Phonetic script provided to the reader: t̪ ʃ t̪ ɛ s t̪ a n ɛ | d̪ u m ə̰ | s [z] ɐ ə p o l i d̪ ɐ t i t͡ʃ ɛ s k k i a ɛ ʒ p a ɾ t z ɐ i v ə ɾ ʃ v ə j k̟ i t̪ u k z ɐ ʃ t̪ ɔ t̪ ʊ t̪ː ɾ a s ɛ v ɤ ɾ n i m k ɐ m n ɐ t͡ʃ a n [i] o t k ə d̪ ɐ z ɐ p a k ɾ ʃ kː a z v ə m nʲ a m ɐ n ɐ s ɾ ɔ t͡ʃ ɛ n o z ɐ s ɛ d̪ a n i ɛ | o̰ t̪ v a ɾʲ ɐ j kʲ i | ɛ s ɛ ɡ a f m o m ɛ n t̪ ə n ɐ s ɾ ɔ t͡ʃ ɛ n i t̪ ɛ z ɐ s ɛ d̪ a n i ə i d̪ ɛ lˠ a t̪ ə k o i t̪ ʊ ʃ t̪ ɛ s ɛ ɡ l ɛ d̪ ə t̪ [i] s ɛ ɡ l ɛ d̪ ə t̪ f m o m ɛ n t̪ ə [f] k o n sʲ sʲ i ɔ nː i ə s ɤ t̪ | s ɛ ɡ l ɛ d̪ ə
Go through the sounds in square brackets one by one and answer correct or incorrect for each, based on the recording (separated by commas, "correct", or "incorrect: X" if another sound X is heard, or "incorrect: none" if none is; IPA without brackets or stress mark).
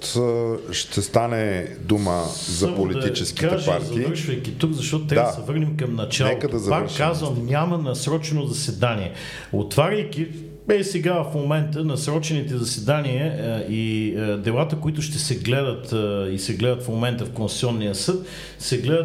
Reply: correct, incorrect: ɛ, correct, correct